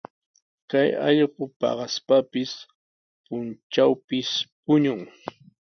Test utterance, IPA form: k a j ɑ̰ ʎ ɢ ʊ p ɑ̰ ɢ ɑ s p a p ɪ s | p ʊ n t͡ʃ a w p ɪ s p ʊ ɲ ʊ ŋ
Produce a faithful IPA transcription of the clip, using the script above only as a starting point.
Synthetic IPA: k a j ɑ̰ ʎ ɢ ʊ p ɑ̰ ɢ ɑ s p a p ɪ s | p ʊ n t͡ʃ a w p ɪ s p ʊ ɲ ʊ ŋ